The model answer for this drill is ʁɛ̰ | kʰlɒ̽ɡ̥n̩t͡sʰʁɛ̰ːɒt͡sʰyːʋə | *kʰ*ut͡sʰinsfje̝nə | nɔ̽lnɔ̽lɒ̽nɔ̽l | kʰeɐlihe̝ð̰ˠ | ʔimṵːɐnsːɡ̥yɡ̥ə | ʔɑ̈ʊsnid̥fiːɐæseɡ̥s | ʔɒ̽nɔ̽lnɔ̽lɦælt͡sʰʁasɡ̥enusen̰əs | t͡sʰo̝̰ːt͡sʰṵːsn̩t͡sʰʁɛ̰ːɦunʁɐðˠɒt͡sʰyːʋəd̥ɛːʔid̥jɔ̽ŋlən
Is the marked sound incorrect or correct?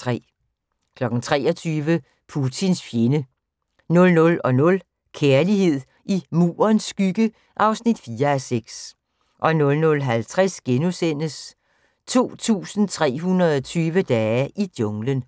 incorrect